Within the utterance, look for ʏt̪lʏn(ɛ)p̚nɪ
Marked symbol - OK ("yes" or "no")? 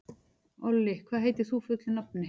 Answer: no